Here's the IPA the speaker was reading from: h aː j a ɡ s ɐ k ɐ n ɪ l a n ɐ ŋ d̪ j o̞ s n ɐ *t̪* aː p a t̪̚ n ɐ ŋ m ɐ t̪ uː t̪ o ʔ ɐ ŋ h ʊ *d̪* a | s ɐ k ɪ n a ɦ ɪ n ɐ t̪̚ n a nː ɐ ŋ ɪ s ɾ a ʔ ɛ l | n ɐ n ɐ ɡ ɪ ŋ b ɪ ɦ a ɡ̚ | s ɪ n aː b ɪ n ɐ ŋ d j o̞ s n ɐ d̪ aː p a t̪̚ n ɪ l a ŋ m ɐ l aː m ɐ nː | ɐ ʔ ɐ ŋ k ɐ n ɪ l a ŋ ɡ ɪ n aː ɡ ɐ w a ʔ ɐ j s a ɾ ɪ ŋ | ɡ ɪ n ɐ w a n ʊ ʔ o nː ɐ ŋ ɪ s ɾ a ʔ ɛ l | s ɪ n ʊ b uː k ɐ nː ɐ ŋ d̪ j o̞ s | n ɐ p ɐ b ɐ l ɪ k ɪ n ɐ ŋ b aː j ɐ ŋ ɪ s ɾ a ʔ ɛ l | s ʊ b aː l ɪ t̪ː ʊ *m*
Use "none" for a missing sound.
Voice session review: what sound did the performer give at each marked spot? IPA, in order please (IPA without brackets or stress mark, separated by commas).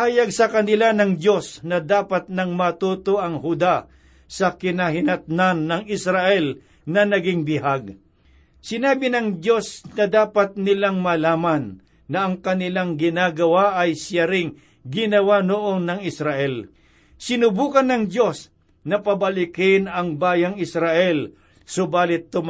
d̪, d̪, m